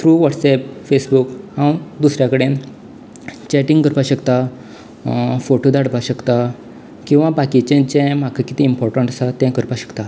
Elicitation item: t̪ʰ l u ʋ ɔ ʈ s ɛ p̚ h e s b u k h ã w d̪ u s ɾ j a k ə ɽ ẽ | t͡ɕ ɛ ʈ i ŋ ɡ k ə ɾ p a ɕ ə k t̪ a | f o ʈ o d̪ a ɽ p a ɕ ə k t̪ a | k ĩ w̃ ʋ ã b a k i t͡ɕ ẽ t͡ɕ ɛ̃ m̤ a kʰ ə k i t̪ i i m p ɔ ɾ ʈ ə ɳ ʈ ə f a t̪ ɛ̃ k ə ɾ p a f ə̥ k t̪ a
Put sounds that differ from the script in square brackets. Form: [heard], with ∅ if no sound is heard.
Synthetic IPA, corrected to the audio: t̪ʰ [ɾ] u ʋ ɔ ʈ s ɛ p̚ [f] e s b u k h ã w d̪ u s ɾ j a k ə ɽ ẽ | t͡ɕ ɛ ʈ i ŋ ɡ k ə ɾ p a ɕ ə k t̪ a | f o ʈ o d̪ a ɽ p a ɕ ə k t̪ a | k ĩ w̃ ʋ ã b a k i t͡ɕ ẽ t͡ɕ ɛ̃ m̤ a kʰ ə k i t̪ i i m p ɔ ɾ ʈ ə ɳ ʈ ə [s] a t̪ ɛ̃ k ə ɾ p a [ɕ] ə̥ k t̪ a